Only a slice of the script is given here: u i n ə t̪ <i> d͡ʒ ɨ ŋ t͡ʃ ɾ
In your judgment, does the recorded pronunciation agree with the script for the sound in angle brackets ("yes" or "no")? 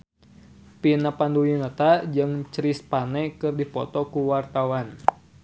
no